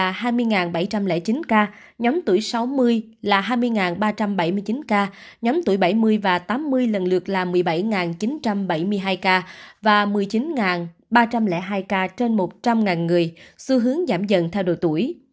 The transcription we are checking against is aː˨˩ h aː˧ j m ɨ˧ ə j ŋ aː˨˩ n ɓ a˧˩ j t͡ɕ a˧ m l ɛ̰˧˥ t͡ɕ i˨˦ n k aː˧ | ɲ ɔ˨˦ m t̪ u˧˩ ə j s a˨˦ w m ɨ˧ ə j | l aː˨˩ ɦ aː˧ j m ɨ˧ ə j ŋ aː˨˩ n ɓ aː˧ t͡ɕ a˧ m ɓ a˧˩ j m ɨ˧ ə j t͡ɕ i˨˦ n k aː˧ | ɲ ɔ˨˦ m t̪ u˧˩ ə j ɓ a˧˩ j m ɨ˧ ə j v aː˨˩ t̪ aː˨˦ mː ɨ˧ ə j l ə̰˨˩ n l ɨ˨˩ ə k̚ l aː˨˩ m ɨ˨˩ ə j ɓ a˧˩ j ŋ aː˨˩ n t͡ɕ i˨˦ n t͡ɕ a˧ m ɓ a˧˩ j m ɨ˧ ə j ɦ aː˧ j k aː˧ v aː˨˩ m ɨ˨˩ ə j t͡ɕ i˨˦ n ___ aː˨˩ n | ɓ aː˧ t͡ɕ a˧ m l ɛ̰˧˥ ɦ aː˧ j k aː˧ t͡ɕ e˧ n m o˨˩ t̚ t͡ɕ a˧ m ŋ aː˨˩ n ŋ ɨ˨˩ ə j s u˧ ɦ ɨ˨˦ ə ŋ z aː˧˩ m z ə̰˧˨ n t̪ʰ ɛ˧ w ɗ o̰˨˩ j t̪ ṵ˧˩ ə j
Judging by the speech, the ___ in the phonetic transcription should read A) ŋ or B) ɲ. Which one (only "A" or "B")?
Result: A